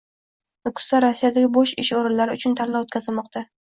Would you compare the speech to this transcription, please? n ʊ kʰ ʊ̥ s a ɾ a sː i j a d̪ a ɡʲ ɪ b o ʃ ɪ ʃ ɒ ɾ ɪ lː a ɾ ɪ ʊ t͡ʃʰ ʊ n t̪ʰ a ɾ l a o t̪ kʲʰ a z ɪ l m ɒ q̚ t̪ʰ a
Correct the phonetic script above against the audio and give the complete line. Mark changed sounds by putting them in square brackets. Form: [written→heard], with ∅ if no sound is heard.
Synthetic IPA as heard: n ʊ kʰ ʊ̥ s a ɾ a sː i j a d̪ a ɡʲ ɪ b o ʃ ɪ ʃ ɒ ɾ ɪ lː a ɾ ɪ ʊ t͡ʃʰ ʊ n t̪ʰ a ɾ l a o t̪ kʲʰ a z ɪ l m ɒ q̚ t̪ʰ a